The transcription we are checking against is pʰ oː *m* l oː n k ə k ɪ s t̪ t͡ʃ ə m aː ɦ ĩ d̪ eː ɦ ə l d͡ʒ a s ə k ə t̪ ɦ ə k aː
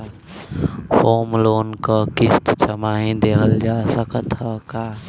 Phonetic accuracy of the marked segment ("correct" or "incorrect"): correct